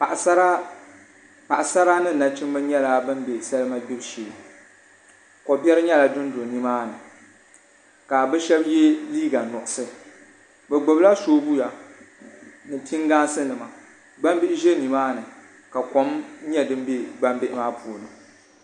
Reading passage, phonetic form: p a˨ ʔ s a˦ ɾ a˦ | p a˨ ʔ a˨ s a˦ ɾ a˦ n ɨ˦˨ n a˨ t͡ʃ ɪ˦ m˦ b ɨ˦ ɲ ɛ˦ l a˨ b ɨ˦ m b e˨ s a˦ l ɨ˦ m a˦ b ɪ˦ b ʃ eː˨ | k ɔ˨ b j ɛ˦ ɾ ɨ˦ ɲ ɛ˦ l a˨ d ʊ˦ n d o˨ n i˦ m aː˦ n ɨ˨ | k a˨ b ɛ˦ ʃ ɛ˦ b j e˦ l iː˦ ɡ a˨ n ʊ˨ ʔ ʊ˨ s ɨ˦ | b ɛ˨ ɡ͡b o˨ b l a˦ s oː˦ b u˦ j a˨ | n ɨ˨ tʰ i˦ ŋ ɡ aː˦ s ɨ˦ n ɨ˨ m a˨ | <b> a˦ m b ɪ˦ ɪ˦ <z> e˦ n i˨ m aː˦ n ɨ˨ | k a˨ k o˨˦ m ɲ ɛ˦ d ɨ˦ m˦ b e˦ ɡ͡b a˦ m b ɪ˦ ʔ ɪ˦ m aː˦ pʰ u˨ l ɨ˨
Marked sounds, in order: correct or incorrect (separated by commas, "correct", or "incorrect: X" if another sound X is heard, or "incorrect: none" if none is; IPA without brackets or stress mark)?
incorrect: ɡ͡b, incorrect: ʒ